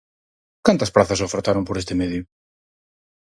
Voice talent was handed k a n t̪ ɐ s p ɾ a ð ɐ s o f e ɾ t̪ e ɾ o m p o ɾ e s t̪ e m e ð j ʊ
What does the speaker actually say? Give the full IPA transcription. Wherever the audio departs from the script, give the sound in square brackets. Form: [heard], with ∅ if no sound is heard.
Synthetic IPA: k a n t̪ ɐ s p ɾ a [θ] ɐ s o f e ɾ t̪ [a] ɾ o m p o ɾ e s t̪ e m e ð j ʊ